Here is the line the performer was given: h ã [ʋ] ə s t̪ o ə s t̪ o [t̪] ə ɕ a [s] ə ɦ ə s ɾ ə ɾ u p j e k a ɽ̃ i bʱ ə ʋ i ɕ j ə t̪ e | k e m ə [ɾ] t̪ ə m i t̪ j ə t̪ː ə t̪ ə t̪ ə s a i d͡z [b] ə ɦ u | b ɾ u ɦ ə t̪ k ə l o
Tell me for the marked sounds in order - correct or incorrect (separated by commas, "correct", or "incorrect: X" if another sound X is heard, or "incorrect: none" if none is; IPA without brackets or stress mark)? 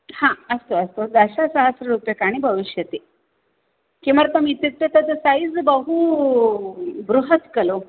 incorrect: none, incorrect: d̪, correct, correct, correct